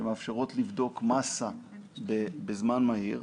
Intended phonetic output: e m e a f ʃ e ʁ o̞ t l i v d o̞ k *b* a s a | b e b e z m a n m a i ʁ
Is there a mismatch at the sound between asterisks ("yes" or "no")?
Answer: yes